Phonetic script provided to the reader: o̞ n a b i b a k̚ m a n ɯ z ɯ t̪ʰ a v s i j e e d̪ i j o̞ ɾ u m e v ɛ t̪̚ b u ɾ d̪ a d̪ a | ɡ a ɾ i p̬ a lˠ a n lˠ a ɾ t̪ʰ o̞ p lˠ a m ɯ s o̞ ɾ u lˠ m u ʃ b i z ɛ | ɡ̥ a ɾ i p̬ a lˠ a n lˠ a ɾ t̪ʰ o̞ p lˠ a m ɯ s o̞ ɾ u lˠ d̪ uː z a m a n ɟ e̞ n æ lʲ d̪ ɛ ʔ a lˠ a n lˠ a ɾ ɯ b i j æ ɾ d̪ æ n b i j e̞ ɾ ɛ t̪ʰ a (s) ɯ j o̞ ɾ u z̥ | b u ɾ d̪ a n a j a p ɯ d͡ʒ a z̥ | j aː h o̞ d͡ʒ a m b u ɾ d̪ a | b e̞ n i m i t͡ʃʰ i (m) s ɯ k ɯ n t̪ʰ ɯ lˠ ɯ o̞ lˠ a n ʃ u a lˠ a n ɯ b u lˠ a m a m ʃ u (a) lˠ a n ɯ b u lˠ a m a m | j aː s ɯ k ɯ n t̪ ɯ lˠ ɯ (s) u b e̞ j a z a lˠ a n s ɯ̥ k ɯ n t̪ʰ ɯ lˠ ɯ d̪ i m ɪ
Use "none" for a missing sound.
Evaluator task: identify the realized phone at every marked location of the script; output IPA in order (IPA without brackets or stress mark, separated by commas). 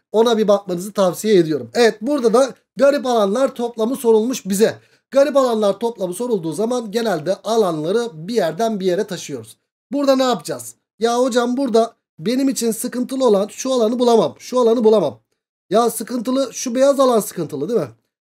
ʃ, n, a, ʃ